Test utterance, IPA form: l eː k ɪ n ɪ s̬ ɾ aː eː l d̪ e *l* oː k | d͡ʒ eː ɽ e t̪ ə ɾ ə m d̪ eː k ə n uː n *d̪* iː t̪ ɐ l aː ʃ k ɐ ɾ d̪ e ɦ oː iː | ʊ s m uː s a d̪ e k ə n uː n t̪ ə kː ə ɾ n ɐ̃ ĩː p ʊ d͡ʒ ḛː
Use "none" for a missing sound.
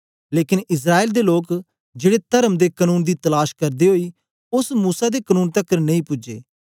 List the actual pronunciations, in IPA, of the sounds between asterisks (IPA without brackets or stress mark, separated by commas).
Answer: l, d̪